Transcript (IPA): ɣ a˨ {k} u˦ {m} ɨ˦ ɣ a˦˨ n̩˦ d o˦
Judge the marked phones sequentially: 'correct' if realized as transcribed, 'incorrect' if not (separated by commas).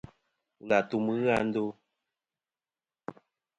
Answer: incorrect, correct